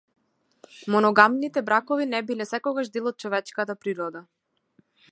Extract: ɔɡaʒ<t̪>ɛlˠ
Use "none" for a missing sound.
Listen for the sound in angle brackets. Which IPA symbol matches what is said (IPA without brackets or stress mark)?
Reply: d̪